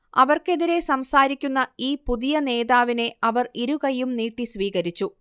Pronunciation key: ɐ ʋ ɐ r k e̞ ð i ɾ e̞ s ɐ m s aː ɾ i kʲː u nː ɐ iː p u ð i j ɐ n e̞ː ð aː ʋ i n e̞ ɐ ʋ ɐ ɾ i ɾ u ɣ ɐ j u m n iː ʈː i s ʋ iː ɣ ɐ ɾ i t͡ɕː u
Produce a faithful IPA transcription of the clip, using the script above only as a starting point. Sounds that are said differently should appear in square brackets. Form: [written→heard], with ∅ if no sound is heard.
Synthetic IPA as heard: ɐ ʋ ɐ r k e̞ ð i ɾ e̞ s ɐ m s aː ɾ i kʲː u nː ɐ iː p u ð i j ɐ n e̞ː ð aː ʋ i n e̞ ɐ ʋ ɐ [ɾ→r] i ɾ u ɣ ɐ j u m n iː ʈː i s ʋ iː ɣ ɐ ɾ i t͡ɕː u